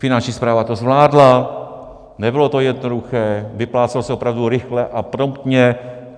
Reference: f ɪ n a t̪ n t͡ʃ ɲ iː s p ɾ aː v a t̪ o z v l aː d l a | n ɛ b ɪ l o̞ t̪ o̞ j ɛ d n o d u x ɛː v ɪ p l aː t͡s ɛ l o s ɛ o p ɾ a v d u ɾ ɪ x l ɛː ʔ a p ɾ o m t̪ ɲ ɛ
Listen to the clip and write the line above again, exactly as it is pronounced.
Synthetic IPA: f ɪ n a n t͡ʃ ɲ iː s p ɾ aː v a t̪ o z v l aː d l a | n ɛ b ɪ l o̞ t̪ o̞ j ɛ d n o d u x ɛː v ɪ p l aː t͡s ɛ l o s ɛ o p ɾ a v d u ɾ ɪ x l ɛ ʔ a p ɾ o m t̪ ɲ ɛ